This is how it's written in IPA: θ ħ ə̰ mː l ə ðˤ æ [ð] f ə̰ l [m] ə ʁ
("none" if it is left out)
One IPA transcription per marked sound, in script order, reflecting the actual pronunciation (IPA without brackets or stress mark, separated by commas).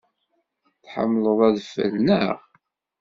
ð, n